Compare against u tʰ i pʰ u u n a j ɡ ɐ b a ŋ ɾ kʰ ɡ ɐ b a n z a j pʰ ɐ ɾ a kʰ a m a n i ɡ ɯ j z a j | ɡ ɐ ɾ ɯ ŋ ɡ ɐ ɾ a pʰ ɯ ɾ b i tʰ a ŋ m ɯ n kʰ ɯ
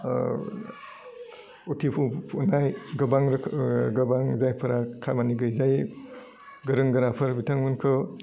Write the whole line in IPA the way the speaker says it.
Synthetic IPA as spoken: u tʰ i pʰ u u n a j ɡ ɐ b a ŋ ɾ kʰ ɡ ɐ b a ŋ z a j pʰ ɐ ɾ a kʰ a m a n i ɡ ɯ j z a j | ɡ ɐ ɾ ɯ ŋ ɡ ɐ ɾ a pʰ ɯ ɾ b i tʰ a ŋ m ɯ n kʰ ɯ